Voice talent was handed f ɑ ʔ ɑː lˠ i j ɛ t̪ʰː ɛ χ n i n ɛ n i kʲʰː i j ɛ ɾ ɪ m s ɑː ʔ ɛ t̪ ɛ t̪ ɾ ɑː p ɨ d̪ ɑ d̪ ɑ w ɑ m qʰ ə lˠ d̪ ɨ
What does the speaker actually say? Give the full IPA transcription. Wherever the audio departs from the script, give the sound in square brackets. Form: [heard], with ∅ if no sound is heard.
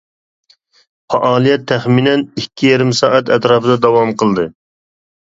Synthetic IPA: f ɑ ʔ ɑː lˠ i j ɛ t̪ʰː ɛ χ [m] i n ɛ n i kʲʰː i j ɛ ɾ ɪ m s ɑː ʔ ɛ t̪ ɛ t̪ ɾ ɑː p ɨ d̪ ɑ d̪ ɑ w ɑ m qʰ ə lˠ d̪ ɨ

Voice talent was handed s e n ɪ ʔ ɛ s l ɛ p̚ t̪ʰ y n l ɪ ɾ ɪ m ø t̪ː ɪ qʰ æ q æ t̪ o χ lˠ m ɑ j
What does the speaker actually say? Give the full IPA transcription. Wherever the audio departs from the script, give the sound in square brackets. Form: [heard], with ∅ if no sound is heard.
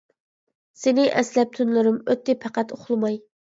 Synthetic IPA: s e n ɪ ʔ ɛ s l ɛ p̚ t̪ʰ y n l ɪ ɾ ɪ m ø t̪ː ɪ [pʰ] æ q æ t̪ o χ lˠ m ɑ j

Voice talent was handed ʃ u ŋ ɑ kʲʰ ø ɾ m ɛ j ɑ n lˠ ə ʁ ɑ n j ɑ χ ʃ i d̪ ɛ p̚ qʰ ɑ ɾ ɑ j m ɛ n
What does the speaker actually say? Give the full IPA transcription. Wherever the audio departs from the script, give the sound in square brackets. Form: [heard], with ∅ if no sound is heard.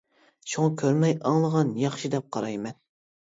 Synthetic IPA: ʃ u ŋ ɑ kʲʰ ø ɾ m ɛ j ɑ [ŋ] lˠ ə ʁ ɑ n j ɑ χ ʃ i d̪ ɛ p̚ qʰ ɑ ɾ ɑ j m ɛ n

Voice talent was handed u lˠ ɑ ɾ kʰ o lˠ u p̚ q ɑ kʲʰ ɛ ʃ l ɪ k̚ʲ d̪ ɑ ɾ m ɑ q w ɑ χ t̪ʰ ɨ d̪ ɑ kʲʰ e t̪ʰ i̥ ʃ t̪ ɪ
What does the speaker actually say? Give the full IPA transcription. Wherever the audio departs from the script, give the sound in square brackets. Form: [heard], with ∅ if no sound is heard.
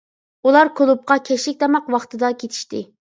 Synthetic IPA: u lˠ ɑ ɾ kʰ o lˠ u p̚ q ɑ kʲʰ ɛ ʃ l ɪ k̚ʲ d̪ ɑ [∅] m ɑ q w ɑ χ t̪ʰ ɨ d̪ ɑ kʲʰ e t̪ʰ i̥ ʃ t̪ ɪ

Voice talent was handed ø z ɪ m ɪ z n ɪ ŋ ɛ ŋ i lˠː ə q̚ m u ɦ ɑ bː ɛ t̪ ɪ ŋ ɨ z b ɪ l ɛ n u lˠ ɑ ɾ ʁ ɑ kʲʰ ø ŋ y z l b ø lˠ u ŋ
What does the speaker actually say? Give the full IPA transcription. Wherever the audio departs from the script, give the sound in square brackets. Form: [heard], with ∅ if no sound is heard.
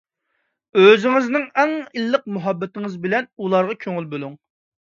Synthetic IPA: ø z ɪ [ŋ] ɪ z n ɪ ŋ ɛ ŋ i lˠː ə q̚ m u ɦ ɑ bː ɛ t̪ ɪ ŋ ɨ z b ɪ l ɛ n u lˠ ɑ ɾ ʁ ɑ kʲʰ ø ŋ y [∅] l b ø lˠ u ŋ

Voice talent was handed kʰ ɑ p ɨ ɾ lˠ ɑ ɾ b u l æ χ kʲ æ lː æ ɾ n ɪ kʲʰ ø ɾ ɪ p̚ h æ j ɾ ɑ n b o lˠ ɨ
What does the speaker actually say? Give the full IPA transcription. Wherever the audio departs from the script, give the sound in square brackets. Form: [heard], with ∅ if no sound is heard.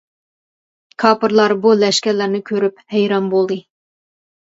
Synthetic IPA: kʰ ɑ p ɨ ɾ lˠ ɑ ɾ b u l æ [ʃ] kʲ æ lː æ ɾ n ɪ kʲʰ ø ɾ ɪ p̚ h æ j ɾ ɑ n b o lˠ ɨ

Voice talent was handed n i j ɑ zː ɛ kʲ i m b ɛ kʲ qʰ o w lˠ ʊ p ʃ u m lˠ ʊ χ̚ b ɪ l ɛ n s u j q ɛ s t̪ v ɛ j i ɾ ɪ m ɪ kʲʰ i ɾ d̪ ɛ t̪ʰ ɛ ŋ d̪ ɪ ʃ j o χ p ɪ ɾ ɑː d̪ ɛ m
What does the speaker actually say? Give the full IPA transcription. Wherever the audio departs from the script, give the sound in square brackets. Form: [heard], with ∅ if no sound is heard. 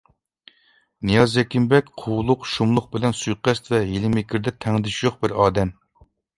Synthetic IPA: n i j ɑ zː ɛ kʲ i m b ɛ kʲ qʰ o w lˠ ʊ [q] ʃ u m lˠ ʊ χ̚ b ɪ l ɛ n s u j q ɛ s t̪ v ɛ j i [l] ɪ m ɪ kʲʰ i ɾ d̪ ɛ t̪ʰ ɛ ŋ d̪ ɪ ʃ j o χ [b] ɪ ɾ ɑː d̪ ɛ m

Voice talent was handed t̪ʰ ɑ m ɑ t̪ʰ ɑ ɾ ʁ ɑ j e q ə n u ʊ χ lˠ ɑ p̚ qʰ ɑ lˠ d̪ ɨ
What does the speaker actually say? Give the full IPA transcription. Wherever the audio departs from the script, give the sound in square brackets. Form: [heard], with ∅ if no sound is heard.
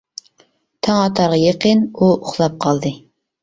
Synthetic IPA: t̪ʰ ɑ [ŋ] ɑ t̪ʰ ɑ ɾ ʁ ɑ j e q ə n u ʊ χ lˠ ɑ p̚ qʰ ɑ lˠ d̪ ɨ

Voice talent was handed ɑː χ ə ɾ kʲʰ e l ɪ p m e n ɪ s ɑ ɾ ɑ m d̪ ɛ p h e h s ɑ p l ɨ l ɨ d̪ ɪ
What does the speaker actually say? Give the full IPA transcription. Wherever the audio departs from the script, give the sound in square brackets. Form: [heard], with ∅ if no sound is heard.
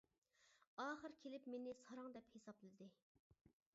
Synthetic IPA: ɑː χ ə ɾ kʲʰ e l ɪ p m e n ɪ s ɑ ɾ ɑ [ŋ] d̪ ɛ p h e [∅] s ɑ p l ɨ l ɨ d̪ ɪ

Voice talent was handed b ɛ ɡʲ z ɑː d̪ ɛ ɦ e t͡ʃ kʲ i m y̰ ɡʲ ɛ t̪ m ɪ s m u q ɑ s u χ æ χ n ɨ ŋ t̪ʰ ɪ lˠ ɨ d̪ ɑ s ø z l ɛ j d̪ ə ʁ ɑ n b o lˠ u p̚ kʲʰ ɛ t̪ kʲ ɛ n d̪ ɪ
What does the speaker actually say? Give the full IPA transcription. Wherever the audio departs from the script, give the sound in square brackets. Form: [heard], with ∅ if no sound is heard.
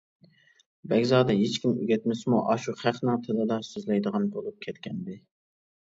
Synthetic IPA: b ɛ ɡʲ z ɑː d̪ ɛ ɦ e t͡ʃ kʲ i m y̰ ɡʲ ɛ t̪ m ɪ s m u [ʔ] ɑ [ʃ] u χ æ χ n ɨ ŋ t̪ʰ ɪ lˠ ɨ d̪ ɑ s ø z l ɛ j d̪ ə ʁ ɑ n b o lˠ u p̚ kʲʰ ɛ t̪ kʲ ɛ n d̪ ɪ

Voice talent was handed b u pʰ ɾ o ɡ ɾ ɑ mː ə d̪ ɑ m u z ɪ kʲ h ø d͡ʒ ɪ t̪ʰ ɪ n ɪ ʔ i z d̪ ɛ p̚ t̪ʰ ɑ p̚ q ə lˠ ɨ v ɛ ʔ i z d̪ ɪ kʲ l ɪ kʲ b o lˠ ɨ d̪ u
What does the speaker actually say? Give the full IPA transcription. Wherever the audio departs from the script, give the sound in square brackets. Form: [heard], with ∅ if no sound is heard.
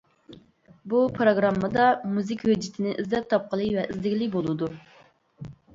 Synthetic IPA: b u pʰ ɾ o ɡ ɾ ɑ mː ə d̪ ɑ m u z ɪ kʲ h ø d͡ʒ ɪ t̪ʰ ɪ n ɪ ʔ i z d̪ ɛ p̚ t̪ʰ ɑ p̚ q ə lˠ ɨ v ɛ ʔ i z d̪ ɪ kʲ l ɪ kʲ b o lˠ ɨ d̪ u

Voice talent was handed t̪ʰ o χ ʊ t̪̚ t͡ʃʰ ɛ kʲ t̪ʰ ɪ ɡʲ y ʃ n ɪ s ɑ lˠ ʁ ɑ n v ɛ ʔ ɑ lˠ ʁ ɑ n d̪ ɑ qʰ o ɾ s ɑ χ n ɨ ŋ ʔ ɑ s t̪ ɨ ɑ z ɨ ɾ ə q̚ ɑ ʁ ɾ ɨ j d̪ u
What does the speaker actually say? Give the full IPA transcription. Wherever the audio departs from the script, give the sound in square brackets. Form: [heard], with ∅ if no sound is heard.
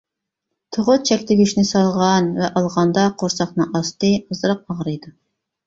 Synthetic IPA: t̪ʰ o [ʁ] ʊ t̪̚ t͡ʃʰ ɛ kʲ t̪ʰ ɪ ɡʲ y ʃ n ɪ s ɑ lˠ ʁ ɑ n v ɛ ʔ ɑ lˠ ʁ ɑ n d̪ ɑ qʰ o ɾ s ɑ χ n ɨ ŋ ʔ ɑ s t̪ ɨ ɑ z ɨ ɾ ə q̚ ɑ ʁ ɾ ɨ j d̪ u

